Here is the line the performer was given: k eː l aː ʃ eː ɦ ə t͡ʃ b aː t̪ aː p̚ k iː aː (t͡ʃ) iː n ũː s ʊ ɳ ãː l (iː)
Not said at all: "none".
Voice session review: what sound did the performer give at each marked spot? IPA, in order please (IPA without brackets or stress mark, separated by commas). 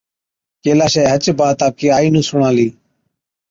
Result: none, iː